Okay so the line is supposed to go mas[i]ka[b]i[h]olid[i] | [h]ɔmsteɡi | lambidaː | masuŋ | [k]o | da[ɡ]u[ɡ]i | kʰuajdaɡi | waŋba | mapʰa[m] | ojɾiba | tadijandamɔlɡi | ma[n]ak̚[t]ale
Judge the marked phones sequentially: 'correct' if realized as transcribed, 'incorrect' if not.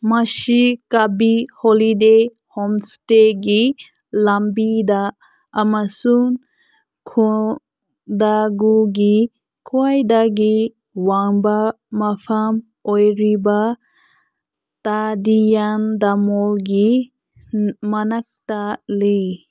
correct, correct, correct, incorrect: e, correct, incorrect: kʰ, correct, correct, correct, correct, correct

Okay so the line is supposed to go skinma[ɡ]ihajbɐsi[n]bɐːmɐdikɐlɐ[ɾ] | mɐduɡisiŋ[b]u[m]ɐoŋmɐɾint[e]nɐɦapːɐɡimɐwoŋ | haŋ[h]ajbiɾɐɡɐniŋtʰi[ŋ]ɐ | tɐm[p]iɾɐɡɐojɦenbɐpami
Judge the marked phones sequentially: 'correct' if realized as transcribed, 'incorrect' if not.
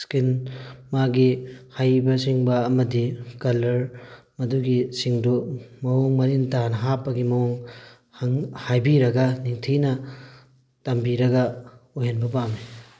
correct, incorrect: ŋ, correct, incorrect: d, correct, incorrect: a, correct, incorrect: n, incorrect: b

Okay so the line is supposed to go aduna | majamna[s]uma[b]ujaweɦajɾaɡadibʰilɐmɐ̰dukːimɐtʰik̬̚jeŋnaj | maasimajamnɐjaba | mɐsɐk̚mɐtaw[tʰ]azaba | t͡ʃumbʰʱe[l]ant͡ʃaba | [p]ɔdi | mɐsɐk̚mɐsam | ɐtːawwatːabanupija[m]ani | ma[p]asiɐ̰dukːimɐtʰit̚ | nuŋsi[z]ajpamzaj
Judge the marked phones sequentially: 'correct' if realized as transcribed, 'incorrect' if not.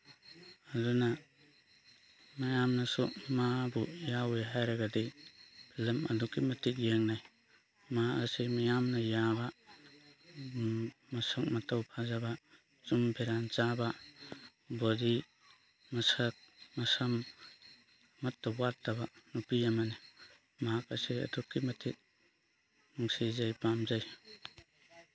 correct, correct, incorrect: pʰ, incorrect: ɾ, incorrect: b, correct, incorrect: k, correct

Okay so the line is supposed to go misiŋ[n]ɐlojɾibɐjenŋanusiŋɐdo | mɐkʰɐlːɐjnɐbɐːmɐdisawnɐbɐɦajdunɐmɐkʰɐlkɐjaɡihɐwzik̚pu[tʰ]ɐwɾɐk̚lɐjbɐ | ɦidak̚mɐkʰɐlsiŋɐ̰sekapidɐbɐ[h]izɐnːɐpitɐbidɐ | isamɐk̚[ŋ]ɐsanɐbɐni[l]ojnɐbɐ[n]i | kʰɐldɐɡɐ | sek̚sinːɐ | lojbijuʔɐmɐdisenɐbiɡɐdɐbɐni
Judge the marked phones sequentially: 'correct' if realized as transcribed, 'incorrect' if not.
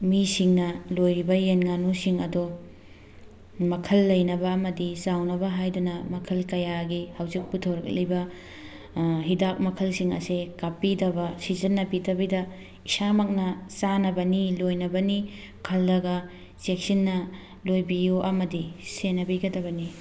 correct, correct, incorrect: s, incorrect: n, correct, correct

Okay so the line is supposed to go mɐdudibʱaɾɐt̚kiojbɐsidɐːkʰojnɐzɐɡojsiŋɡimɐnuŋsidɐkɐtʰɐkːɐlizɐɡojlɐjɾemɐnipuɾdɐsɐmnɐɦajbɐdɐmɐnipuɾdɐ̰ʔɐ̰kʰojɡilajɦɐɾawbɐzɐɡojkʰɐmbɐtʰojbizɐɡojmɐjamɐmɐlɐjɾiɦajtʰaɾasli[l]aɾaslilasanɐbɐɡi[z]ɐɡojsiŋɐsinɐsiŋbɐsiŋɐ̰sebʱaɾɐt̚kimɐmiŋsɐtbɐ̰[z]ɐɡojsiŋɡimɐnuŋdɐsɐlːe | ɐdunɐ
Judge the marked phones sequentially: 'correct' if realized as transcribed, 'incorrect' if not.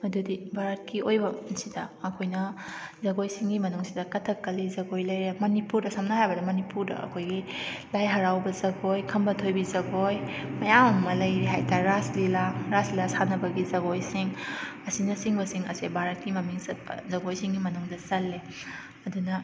correct, correct, correct

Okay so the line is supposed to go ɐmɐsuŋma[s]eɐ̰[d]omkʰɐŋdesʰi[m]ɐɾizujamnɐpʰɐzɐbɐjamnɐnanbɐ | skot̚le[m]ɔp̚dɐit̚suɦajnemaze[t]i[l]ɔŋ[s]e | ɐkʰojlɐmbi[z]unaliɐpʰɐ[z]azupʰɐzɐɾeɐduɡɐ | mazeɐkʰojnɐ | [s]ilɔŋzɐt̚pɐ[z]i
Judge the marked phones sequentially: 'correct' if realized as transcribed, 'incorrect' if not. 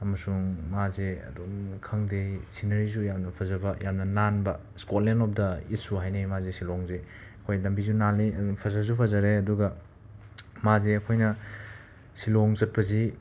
incorrect: z, correct, incorrect: n, incorrect: n, incorrect: s, correct, incorrect: z, correct, correct, correct, correct

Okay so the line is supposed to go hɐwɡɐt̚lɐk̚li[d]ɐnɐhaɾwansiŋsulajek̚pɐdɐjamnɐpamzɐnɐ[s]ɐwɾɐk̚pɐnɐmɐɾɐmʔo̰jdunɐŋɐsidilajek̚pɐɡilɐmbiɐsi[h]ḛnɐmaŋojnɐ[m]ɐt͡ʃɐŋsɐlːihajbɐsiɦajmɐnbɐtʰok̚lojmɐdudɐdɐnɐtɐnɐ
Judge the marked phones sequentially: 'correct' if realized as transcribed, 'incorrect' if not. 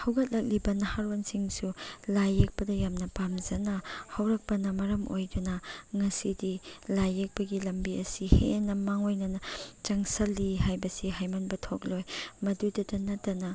incorrect: b, incorrect: h, correct, incorrect: n

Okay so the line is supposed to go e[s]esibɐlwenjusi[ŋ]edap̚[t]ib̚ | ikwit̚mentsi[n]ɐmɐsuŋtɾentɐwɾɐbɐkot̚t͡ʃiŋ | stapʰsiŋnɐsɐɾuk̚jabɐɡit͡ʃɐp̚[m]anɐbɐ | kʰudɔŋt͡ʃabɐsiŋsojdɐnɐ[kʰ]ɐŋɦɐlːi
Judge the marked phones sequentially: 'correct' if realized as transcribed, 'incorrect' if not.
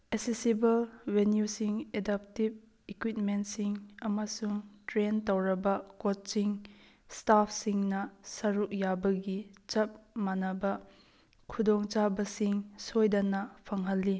correct, correct, correct, incorrect: ŋ, correct, incorrect: pʰ

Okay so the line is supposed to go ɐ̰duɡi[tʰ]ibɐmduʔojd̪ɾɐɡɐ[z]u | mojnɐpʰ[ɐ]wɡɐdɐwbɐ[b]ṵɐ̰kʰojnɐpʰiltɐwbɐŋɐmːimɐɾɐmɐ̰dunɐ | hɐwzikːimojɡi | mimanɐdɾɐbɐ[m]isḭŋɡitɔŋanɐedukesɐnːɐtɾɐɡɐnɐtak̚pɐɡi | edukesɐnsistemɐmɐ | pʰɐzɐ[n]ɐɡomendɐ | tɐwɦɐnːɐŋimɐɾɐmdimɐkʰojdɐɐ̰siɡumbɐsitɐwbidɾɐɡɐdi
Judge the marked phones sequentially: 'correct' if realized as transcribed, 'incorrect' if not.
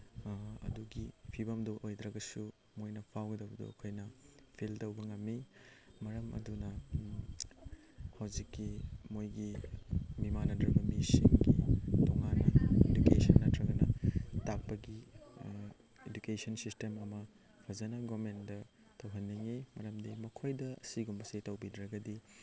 incorrect: pʰ, incorrect: s, incorrect: a, incorrect: d, correct, correct

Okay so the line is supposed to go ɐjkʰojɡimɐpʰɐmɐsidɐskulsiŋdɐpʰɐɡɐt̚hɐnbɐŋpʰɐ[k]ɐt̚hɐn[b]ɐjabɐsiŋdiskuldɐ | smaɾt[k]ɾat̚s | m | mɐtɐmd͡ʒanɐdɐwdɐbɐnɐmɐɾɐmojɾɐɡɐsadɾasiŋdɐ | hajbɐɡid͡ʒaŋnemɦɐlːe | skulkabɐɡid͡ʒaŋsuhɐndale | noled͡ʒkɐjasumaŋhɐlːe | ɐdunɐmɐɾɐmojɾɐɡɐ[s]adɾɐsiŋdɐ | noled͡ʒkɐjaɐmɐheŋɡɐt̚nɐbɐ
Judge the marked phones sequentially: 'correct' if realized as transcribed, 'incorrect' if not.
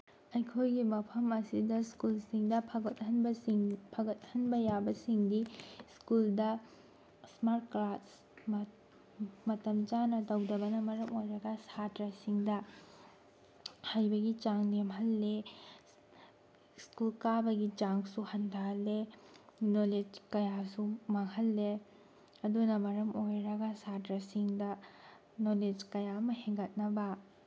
incorrect: ɡ, correct, correct, correct

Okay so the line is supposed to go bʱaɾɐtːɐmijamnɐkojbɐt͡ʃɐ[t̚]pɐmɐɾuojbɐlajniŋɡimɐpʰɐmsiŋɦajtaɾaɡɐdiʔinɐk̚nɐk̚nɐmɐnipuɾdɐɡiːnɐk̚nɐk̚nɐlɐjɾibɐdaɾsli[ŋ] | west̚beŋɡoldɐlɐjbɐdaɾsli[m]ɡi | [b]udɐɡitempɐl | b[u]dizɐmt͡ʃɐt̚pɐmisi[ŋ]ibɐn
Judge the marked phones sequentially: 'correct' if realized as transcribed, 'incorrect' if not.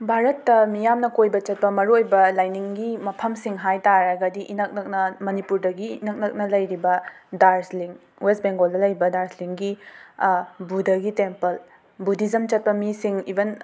correct, correct, incorrect: ŋ, correct, correct, correct

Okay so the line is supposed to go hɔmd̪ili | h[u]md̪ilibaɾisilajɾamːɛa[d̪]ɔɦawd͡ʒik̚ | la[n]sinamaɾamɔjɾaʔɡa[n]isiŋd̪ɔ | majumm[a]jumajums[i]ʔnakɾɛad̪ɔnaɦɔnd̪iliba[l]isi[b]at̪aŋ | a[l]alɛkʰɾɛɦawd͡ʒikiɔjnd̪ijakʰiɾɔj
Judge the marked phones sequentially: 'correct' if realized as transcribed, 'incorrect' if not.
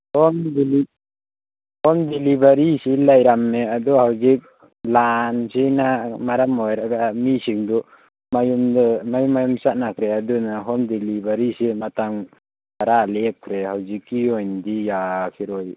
incorrect: ɔ, correct, correct, incorrect: m, correct, incorrect: a, incorrect: ɾ, incorrect: m, incorrect: ɾ

